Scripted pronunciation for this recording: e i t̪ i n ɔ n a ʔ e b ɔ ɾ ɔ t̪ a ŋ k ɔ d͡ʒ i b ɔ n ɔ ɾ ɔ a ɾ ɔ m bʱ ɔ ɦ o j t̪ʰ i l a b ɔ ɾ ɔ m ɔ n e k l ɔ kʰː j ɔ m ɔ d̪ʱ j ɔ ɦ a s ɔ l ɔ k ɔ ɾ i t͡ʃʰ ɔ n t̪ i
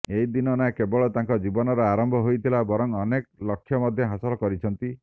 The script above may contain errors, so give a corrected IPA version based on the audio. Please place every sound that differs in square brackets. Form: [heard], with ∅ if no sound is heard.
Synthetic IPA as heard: e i [d̪] i n ɔ n a [k] e b ɔ [ɭ] ɔ t̪ a ŋ k ɔ d͡ʒ i b ɔ n ɔ ɾ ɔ a ɾ ɔ m bʱ ɔ ɦ o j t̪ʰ i l a b ɔ ɾ ɔ [ŋ] ɔ n e k l ɔ kʰː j ɔ m ɔ d̪ʱ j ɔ ɦ a s ɔ l ɔ k ɔ ɾ i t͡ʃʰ ɔ n t̪ i

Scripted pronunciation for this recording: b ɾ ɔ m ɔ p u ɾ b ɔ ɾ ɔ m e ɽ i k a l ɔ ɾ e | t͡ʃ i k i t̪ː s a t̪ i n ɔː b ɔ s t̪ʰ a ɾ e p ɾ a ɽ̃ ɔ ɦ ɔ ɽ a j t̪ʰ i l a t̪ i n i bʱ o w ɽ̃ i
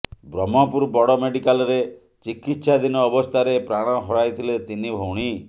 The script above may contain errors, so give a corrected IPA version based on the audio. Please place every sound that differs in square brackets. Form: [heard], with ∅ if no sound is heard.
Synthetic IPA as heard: b ɾ ɔ m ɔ p u ɾ b ɔ [ɽ] ɔ m e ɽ i k a l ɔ ɾ e | t͡ʃ i k i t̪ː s a [d̪] i n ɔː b ɔ s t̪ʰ a ɾ e p ɾ a ɽ̃ ɔ ɦ ɔ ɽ a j t̪ʰ i l [e] t̪ i n i bʱ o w ɽ̃ i

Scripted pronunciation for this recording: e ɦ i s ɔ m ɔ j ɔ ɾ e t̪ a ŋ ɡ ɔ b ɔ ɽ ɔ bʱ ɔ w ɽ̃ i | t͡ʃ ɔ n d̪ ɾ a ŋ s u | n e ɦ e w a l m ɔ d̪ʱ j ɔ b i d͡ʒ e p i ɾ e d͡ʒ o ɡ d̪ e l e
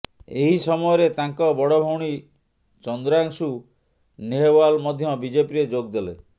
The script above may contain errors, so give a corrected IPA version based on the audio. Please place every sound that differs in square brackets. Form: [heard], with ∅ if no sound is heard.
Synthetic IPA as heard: e ɦ i s ɔ m ɔ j ɔ ɾ e t̪ a ŋ [k] ɔ b ɔ ɽ ɔ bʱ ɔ w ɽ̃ i | t͡ʃ ɔ n d̪ ɾ a ŋ s u | n e ɦ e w a l m ɔ d̪ʱ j ɔ b i d͡ʒ e p i ɾ e d͡ʒ o ɡ d̪ e l e

